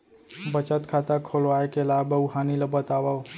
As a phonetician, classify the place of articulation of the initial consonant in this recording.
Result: labial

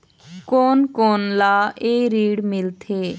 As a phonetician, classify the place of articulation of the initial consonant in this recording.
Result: velar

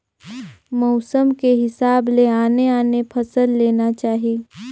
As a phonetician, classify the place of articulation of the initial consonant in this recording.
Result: labial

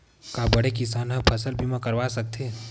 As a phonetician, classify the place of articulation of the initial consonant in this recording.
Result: velar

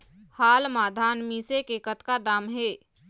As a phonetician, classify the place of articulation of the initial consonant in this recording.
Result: glottal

